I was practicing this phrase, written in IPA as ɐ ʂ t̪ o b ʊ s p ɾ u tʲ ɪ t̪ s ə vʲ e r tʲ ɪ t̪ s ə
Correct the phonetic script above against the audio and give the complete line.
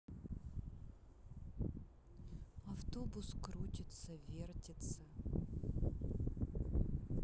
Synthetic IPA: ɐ f t̪ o b ʊ s k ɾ u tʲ ɪ t̪ s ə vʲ e r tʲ ɪ t̪ s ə